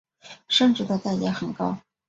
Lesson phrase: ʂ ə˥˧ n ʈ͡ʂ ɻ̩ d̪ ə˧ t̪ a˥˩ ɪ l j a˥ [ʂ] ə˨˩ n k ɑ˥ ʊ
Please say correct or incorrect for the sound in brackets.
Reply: incorrect